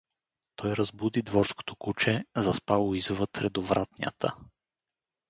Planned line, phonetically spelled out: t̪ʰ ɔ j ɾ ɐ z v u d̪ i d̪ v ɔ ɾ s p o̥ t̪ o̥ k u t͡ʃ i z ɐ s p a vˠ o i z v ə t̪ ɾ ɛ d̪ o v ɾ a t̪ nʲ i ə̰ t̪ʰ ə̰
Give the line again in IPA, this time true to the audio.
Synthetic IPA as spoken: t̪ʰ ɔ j ɾ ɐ z b u d̪ i d̪ v ɔ ɾ s k o̥ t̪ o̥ k u t͡ʃ ɛ z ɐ s p a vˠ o i z v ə t̪ ɾ ɛ d̪ o v ɾ a t̪ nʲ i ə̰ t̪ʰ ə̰